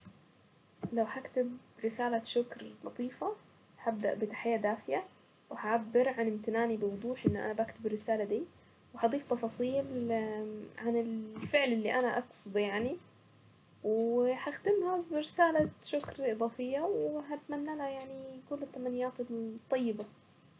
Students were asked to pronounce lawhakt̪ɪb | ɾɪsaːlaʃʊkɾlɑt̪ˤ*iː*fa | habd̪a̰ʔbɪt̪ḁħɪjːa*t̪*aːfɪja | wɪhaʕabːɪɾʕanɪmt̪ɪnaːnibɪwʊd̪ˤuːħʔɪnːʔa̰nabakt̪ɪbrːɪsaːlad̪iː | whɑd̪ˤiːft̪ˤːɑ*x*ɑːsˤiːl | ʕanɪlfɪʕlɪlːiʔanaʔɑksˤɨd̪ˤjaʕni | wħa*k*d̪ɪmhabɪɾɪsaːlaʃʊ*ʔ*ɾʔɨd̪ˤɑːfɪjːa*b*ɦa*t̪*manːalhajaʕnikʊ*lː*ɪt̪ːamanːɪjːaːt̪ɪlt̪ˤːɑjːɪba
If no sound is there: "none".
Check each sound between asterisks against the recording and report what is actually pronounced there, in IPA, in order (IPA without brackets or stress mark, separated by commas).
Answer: iː, d̪, f, x, k, w, t̪, lː